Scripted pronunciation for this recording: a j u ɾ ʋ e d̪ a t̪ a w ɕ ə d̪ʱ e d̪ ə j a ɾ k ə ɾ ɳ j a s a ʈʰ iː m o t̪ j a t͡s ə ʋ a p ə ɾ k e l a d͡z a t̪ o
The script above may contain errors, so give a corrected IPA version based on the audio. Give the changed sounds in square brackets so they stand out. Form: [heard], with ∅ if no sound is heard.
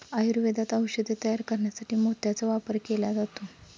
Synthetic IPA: a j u ɾ ʋ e d̪ a t̪ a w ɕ ə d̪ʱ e [t̪] ə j a ɾ k ə ɾ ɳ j a s a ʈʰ iː m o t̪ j a t͡s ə ʋ a p ə ɾ k e l a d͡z a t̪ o